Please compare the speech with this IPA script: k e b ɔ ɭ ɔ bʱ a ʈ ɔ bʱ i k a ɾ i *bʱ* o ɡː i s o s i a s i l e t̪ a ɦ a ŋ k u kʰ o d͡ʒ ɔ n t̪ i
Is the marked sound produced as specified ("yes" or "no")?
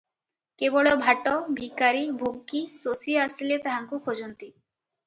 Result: yes